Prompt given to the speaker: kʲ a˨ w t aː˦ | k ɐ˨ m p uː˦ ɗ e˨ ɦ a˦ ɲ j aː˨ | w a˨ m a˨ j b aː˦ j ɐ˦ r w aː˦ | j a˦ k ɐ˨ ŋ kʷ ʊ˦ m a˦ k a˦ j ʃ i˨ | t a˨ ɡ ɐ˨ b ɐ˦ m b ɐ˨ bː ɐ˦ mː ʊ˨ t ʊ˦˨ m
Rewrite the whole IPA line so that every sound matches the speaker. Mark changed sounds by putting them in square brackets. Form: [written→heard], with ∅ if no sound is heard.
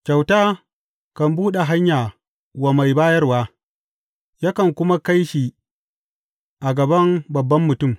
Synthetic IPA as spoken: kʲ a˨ w t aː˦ | k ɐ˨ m [p→b] uː˦ ɗ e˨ ɦ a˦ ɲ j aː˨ | w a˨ m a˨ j b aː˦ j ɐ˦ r w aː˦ | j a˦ k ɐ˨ ŋ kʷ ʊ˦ m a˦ k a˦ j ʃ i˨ | [t→ʔ] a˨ ɡ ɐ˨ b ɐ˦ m b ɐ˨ bː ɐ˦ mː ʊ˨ t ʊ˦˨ m